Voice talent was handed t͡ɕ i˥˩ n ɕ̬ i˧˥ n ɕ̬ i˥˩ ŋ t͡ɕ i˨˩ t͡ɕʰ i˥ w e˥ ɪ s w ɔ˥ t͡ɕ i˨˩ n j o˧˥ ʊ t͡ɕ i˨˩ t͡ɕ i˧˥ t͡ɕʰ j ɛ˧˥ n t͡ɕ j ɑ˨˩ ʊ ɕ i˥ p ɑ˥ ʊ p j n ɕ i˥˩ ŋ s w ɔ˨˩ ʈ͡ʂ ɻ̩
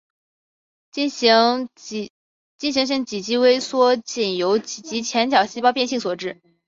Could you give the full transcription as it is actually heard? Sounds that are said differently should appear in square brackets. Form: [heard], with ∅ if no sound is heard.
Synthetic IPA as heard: t͡ɕ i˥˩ n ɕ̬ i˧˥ [ŋ] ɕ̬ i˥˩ ŋ t͡ɕ i˨˩ [t͡ɕ] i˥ w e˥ ɪ s w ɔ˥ t͡ɕ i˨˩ n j o˧˥ ʊ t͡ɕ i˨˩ t͡ɕ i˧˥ t͡ɕʰ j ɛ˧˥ n t͡ɕ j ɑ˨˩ ʊ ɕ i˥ p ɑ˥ ʊ p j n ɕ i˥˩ ŋ s w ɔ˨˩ ʈ͡ʂ ɻ̩